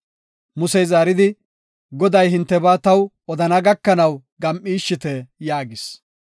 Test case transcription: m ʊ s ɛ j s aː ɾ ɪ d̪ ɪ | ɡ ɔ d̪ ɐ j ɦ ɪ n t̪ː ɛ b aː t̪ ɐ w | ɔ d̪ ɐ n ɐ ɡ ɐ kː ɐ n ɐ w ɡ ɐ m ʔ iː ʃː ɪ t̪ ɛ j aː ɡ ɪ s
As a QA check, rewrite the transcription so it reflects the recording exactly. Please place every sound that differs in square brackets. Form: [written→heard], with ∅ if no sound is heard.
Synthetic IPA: m ʊ s ɛ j [s→z] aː ɾ ɪ d̪ ɪ | ɡ ɔ d̪ ɐ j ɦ ɪ n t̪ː ɛ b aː t̪ ɐ w | ɔ d̪ ɐ n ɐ ɡ ɐ kː ɐ n ɐ w ɡ ɐ m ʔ iː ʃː ɪ t̪ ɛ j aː ɡ ɪ s